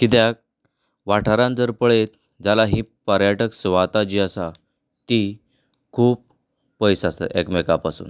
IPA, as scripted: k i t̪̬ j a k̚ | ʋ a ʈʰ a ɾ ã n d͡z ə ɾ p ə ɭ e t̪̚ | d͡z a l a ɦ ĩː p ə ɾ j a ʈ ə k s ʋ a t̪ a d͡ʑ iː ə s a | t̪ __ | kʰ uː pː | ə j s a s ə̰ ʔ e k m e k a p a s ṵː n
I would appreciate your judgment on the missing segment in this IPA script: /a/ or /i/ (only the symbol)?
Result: i